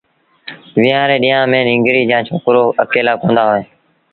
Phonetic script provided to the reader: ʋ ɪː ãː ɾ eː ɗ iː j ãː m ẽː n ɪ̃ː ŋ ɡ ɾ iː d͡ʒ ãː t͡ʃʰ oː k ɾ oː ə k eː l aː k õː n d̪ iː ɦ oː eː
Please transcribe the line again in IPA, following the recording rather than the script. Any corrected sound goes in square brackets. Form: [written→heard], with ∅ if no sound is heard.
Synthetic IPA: ʋ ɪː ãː ɾ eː ɗ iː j ãː m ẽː n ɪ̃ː ŋ ɡ ɾ iː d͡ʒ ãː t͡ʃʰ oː k ɾ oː ə k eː l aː k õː n d̪ [iː→aː] ɦ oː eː